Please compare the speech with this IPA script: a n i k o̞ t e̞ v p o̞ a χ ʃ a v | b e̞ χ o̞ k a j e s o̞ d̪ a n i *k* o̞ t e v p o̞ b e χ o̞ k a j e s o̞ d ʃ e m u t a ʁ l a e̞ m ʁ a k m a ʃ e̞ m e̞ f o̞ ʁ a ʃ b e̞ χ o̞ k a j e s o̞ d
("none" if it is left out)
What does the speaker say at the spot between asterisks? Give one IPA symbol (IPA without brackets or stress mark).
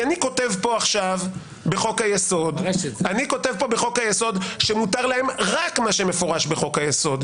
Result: k